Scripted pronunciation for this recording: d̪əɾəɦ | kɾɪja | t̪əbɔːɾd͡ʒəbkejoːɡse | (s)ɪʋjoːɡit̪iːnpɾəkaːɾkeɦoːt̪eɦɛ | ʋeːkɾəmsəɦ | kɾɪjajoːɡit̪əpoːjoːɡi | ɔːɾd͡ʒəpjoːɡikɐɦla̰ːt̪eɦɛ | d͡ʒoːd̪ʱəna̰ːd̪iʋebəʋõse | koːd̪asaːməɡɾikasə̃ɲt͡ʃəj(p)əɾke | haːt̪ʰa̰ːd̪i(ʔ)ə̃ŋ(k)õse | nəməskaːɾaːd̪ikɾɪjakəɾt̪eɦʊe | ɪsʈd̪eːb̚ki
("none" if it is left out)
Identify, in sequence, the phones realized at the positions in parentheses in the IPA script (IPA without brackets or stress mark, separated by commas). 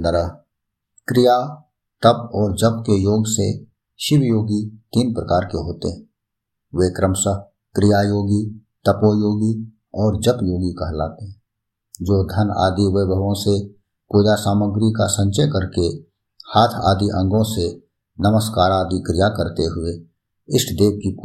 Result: ʃ, k, ʔ, ɡ